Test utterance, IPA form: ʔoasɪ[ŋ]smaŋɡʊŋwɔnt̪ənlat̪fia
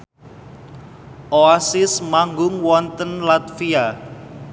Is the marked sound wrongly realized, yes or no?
yes